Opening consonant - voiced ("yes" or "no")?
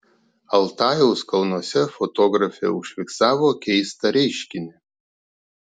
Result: yes